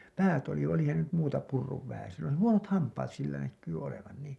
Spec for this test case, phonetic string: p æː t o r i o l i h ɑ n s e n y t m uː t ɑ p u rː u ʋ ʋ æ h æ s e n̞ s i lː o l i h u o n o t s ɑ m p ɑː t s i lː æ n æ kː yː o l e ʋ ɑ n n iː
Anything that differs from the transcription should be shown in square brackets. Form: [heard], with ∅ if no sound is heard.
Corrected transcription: p æː t o [l] i o l i h ɑ n s e n y t m uː t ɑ p u rː u ʋ ʋ æ h æ s e n̞ s i lː o l i h u o n o t [h] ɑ m p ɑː t s i lː æ n æ kː yː o l e ʋ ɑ n n iː